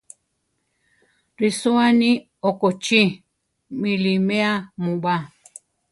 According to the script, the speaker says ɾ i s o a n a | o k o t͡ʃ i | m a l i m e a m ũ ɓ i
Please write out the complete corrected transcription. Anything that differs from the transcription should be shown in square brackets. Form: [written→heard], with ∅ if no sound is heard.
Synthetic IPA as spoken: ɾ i s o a n [a→i] | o k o t͡ʃ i | m [a→i] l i m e a m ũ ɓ [i→a]